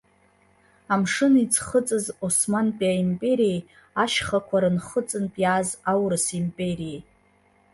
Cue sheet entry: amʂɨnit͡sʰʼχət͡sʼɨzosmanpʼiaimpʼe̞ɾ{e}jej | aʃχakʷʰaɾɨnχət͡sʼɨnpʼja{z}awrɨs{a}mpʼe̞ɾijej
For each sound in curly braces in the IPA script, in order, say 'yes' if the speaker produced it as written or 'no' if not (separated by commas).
no, yes, no